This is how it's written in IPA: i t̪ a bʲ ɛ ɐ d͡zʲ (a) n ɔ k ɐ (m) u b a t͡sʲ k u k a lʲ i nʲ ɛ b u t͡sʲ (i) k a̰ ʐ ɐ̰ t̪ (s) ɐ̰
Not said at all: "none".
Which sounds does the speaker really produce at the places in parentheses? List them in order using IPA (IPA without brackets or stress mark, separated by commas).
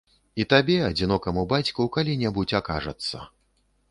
i, m, a, sː